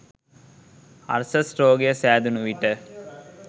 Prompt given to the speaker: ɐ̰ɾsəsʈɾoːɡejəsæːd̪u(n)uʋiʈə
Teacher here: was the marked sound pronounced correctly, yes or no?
yes